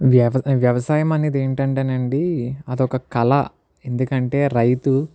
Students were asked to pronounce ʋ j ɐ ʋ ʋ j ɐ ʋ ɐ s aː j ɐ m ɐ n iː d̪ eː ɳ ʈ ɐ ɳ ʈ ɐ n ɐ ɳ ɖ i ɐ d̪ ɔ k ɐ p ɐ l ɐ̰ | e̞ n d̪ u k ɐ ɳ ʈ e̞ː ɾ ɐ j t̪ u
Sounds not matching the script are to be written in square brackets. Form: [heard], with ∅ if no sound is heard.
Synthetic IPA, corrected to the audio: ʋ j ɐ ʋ ʋ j ɐ ʋ ɐ s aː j ɐ m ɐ n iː d̪ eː ɳ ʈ ɐ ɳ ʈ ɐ n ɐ ɳ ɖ i ɐ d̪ ɔ k ɐ [k] ɐ l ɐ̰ | e̞ n d̪ u k ɐ ɳ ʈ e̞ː ɾ ɐ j t̪ u